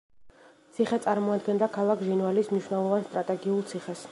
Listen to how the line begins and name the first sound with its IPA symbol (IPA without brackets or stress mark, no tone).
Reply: t̪